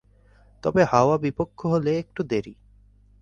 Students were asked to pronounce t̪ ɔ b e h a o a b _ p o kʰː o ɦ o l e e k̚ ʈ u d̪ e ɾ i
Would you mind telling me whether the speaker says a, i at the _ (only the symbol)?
i